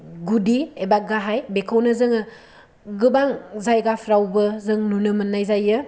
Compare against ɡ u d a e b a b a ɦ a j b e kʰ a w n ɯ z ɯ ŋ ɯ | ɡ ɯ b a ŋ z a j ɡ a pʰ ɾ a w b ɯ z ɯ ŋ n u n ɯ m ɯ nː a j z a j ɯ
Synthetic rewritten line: ɡ u d i e b a ɡ a ɦ a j b e kʰ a w n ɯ z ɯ ŋ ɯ | ɡ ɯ b a ŋ z a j ɡ a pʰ ɾ a w b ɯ z ɯ ŋ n u n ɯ m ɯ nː a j z a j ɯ